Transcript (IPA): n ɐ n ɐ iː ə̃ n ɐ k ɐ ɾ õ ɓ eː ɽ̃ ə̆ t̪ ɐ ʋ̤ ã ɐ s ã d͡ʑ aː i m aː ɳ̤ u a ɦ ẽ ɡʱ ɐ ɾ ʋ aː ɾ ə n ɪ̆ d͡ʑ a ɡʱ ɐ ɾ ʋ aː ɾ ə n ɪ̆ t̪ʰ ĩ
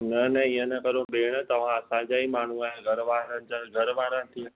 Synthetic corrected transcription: n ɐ n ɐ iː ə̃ n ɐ k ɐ ɾ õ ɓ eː ɽ̃ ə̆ t̪ ɐ ʋ̤ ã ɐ s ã d͡ʑ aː i m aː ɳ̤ u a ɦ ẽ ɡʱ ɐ ɾ ʋ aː ɾ ə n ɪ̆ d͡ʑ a ɡʱ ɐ ɾ ʋ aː ɾ ə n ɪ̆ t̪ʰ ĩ